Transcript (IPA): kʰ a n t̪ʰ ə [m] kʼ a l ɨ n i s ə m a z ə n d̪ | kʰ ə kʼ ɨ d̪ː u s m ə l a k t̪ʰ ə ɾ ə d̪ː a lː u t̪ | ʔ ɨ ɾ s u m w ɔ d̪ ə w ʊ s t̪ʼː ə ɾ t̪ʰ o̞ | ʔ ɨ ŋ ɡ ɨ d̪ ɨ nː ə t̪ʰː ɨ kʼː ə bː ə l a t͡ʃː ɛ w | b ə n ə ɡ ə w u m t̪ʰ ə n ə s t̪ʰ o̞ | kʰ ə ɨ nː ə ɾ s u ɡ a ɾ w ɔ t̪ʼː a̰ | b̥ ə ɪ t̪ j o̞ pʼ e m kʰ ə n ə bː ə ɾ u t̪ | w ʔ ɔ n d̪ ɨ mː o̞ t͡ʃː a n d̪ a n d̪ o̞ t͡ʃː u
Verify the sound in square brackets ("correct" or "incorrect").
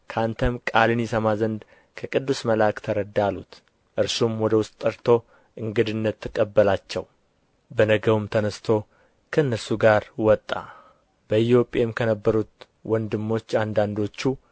correct